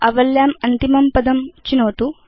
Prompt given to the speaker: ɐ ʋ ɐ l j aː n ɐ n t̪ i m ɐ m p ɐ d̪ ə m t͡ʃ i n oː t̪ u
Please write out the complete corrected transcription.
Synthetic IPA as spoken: ɐ ʋ ɐ l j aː m ɐ n t̪ i m ɐ m p ɐ d̪ ɐ m t͡ʃ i n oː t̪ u